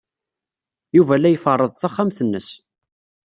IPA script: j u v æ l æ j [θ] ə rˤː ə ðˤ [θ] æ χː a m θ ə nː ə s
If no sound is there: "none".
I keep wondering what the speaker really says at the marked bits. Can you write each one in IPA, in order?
f, θ

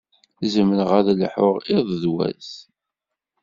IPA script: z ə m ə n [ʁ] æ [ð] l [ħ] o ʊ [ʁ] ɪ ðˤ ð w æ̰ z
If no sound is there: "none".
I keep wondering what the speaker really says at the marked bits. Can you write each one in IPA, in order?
ʁ, ð, ħ, ʁ

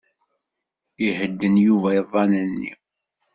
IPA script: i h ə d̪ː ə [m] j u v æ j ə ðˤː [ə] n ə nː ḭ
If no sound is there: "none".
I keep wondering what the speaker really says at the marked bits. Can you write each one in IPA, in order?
n, ɑ

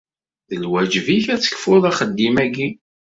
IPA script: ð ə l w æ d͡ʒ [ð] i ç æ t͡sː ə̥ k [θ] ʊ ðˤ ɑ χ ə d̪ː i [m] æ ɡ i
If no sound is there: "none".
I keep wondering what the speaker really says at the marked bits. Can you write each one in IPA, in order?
v, f, m

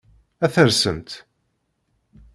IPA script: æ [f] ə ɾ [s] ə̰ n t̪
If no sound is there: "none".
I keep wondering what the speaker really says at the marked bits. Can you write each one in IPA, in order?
θ, s

